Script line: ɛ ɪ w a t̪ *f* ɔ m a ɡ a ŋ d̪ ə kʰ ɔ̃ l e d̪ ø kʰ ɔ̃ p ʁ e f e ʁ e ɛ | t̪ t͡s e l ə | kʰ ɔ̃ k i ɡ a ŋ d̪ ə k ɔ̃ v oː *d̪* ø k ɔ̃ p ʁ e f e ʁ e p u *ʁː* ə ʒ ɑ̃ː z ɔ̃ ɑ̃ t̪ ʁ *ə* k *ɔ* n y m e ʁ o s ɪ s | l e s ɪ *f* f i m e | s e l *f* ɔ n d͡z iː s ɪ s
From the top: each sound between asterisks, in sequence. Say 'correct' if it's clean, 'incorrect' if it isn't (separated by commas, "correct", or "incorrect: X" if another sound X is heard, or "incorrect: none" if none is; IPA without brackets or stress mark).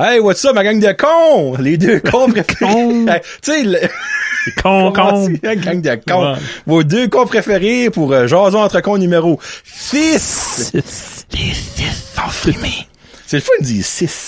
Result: incorrect: s, correct, incorrect: ʁ, correct, incorrect: ɔ̃, incorrect: s, correct